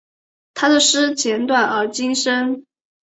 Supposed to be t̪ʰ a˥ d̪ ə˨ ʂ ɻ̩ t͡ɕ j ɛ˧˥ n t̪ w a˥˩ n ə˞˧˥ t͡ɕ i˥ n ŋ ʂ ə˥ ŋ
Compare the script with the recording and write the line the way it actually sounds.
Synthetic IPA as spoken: t̪ʰ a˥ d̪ ə˨ ʂ ɻ̩ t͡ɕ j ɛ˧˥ n t̪ w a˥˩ n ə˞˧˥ t͡ɕ i˥ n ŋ ʂ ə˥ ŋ